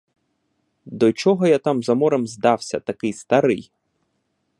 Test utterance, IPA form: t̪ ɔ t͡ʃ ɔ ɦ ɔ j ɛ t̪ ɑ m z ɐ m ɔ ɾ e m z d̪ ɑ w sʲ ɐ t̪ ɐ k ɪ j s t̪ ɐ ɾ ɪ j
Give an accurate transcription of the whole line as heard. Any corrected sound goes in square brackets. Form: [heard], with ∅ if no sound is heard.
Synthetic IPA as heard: [d̪] ɔ t͡ʃ ɔ ɦ ɔ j [a] t̪ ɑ m z ɐ m ɔ ɾ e m z d̪ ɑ w sʲ ɐ t̪ ɐ k ɪ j s t̪ ɐ ɾ ɪ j